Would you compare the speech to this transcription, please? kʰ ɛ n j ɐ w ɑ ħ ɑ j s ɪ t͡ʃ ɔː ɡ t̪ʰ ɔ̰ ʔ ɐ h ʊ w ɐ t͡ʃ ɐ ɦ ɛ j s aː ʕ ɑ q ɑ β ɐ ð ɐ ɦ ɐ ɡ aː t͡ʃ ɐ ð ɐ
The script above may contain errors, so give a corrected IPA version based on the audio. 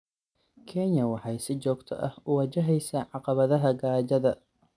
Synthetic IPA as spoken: kʰ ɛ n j ɐ w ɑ ħ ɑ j s ɪ t͡ʃ ɔː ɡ t̪ʰ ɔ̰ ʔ ɐ h ʊ w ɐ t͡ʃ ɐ ɦ ɛ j s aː ʕ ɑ q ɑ β ɐ ð ɐ ɦ ɐ ɡ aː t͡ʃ ɐ ð ɐ